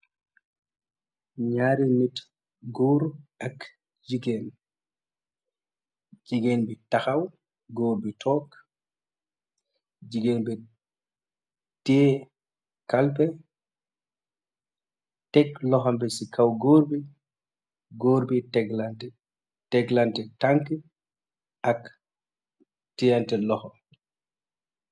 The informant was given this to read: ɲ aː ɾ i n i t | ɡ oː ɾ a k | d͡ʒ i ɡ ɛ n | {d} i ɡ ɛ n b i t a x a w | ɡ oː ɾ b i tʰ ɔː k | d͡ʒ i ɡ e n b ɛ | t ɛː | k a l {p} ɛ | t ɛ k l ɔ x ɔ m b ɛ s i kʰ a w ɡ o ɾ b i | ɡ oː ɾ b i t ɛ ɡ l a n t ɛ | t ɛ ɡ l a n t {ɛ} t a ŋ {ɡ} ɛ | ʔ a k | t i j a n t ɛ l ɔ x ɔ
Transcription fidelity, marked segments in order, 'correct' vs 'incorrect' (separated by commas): incorrect, correct, correct, incorrect